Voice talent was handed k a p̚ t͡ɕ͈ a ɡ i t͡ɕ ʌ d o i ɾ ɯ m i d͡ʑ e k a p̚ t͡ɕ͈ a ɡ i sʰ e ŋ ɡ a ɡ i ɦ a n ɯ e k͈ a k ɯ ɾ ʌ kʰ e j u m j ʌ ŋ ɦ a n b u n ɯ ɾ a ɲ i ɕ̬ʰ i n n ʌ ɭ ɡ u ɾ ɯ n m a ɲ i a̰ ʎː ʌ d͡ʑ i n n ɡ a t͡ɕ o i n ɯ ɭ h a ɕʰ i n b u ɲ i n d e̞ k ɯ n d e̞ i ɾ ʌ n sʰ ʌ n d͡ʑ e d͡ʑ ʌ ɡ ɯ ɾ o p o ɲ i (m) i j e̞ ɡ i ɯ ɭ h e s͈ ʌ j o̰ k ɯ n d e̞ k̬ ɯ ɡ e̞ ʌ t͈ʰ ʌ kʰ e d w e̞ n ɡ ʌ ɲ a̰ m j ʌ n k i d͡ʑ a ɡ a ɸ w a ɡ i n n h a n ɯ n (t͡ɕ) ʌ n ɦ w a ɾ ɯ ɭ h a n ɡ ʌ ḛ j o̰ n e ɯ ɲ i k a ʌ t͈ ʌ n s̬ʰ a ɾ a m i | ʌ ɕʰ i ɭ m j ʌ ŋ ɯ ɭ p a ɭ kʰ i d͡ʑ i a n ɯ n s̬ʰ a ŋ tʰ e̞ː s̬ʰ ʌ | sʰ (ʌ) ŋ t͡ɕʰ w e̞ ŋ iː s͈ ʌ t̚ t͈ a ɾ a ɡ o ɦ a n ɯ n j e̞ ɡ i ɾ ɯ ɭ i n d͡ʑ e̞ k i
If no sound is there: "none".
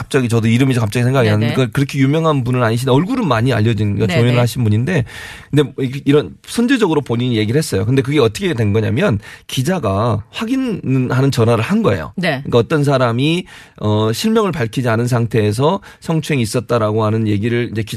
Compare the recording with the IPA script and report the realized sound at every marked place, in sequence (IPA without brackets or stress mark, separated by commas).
ɲ, t͡ɕ, ʌ